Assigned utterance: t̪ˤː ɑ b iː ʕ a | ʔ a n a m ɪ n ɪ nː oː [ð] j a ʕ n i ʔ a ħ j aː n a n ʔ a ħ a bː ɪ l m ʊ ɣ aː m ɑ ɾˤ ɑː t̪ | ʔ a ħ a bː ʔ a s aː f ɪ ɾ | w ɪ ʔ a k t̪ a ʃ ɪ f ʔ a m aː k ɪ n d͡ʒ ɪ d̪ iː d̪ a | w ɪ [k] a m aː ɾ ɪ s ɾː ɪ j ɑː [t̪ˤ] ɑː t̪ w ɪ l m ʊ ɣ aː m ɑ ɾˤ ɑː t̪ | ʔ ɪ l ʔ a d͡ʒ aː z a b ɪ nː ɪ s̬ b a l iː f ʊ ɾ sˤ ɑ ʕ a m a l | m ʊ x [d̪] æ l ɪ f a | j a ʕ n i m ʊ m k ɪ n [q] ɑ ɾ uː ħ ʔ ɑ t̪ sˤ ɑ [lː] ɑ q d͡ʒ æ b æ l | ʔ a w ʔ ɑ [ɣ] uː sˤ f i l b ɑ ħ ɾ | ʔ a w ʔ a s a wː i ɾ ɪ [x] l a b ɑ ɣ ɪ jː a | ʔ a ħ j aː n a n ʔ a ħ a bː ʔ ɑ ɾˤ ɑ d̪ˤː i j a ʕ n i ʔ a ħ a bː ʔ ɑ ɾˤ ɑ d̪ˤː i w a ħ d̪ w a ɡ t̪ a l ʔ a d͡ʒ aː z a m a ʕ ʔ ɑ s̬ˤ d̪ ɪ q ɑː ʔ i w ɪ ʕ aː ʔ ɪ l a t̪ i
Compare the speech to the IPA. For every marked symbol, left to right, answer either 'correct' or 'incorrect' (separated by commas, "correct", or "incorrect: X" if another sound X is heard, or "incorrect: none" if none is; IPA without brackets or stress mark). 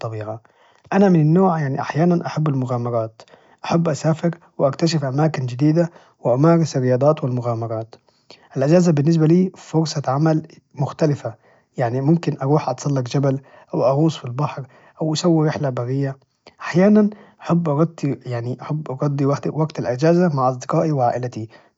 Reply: incorrect: ʕ, incorrect: ʔ, incorrect: d̪ˤ, incorrect: t̪, incorrect: ʔ, correct, correct, incorrect: ħ